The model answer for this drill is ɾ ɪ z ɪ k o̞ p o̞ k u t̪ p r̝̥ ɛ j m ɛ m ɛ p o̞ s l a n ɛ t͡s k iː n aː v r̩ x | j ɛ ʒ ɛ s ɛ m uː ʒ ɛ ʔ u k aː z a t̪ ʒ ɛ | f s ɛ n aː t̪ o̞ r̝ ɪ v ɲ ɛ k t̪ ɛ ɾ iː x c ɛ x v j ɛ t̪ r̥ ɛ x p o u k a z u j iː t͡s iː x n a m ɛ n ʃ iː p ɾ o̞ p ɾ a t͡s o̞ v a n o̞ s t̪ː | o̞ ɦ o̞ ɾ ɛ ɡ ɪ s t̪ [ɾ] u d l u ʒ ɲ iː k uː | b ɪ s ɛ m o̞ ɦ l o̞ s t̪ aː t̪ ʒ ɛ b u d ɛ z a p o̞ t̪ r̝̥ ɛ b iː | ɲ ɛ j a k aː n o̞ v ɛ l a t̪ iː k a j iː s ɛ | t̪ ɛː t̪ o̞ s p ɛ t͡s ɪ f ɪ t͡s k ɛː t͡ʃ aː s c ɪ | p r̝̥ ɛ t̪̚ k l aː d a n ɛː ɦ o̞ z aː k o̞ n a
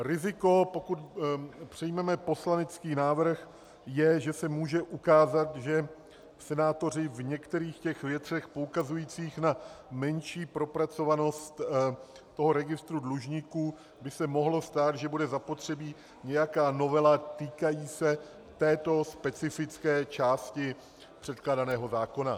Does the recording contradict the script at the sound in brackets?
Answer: no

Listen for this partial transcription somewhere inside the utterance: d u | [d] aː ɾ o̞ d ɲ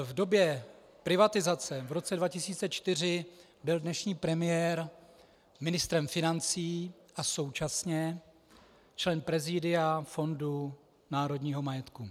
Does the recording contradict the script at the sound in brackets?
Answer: yes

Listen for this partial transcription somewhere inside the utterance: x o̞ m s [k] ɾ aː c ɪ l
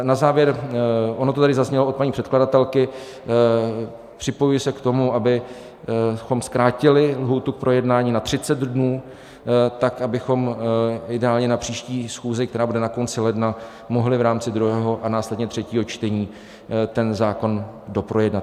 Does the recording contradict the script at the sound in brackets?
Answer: no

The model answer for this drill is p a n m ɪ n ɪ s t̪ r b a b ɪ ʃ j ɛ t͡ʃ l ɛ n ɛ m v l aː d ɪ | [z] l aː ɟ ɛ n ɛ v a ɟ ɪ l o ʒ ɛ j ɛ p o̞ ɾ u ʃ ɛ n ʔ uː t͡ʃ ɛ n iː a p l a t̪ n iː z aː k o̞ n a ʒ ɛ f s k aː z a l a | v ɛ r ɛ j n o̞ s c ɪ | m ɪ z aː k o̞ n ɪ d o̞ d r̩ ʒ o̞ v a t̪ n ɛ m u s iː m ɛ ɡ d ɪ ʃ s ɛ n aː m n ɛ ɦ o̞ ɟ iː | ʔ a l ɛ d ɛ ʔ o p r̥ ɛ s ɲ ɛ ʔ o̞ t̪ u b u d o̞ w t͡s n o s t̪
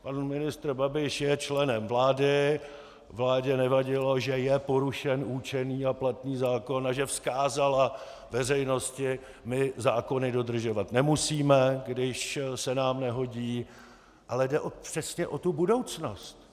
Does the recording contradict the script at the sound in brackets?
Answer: yes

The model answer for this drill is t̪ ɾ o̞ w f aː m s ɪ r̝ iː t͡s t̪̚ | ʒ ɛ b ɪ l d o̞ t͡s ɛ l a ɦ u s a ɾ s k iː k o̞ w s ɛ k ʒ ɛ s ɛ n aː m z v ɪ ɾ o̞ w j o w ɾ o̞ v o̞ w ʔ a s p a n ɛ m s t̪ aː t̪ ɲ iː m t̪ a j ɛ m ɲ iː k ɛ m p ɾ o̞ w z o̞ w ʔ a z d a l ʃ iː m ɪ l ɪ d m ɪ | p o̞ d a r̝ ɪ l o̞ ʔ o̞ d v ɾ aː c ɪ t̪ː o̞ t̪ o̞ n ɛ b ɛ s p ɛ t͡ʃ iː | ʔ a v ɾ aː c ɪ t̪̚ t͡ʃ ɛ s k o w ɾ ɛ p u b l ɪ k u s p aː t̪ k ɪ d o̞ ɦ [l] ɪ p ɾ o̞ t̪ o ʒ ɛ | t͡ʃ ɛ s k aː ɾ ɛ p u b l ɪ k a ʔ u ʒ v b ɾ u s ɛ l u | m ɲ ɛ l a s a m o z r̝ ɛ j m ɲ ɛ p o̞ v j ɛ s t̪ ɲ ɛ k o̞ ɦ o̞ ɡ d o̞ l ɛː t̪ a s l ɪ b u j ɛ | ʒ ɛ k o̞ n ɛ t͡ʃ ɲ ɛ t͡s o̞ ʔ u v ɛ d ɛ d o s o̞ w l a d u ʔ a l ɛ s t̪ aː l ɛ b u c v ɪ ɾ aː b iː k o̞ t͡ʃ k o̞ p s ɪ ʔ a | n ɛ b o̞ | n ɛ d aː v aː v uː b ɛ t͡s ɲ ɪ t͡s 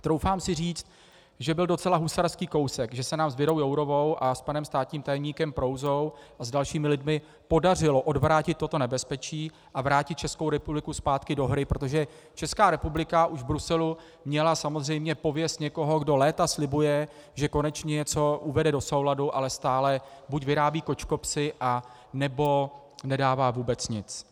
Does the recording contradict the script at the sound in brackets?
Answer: yes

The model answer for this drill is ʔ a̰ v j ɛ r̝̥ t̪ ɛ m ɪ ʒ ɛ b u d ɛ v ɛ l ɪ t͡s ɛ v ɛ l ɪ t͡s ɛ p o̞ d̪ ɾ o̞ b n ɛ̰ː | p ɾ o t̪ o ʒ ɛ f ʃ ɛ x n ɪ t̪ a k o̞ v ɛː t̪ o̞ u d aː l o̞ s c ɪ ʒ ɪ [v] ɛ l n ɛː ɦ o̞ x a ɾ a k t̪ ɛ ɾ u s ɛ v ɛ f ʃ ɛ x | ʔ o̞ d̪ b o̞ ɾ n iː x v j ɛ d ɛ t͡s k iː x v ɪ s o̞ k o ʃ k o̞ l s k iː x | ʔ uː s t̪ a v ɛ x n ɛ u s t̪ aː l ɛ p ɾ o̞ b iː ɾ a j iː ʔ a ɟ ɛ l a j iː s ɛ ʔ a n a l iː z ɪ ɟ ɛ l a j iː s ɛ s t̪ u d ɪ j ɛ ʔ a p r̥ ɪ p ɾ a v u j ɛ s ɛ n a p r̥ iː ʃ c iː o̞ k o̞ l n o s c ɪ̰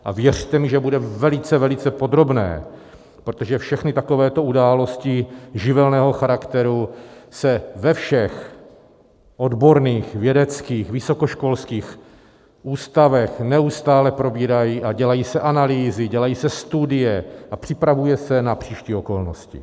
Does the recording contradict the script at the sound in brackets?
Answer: no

